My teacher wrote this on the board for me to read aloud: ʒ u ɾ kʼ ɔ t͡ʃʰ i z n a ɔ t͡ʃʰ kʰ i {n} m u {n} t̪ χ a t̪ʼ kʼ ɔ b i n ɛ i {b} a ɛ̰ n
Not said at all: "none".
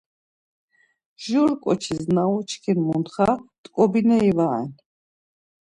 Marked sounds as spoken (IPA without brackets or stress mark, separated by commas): n, n, v